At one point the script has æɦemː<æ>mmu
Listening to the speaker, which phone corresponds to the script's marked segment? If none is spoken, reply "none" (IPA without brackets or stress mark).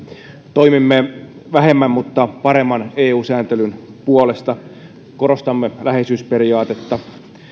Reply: æ